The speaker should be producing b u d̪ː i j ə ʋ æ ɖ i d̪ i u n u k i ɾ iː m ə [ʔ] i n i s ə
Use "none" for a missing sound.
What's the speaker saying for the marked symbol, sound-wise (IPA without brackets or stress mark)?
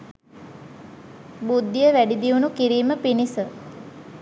p